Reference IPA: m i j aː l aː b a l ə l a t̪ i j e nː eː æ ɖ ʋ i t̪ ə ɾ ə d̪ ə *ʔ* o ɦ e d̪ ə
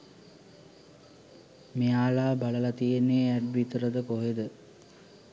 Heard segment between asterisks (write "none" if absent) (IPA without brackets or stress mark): k